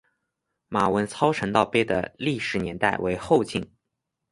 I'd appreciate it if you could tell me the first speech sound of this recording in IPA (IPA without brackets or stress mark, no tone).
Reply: m